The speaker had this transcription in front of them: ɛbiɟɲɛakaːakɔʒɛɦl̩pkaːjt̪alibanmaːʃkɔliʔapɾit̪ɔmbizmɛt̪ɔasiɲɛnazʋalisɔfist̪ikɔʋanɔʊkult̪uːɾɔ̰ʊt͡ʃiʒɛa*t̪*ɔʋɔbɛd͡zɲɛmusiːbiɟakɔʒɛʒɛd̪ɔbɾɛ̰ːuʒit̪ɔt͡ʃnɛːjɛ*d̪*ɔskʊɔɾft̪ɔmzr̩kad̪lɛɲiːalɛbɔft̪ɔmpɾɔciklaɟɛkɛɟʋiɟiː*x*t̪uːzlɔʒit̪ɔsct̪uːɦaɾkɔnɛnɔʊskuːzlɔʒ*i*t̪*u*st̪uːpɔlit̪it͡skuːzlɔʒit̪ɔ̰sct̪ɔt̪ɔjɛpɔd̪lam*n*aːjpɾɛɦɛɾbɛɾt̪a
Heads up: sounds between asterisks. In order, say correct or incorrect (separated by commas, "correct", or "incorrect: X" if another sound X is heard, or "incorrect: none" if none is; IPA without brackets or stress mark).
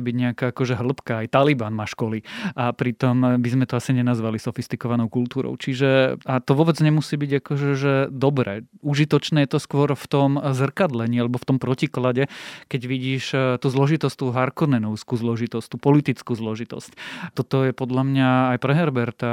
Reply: correct, incorrect: t̪, incorrect: ʃ, correct, incorrect: ɔ, incorrect: ɲ